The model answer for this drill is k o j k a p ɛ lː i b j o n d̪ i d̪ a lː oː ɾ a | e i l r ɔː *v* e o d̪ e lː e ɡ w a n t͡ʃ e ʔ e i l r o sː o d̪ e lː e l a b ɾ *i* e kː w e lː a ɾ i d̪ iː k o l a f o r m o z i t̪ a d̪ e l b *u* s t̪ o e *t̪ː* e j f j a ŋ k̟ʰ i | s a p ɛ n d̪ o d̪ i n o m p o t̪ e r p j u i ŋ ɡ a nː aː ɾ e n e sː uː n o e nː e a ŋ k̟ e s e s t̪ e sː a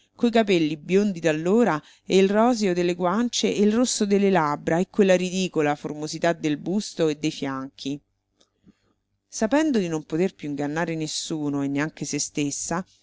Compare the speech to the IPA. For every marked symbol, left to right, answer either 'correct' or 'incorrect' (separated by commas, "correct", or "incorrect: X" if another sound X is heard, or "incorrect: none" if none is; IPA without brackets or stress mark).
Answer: incorrect: z, incorrect: a, correct, incorrect: d̪ː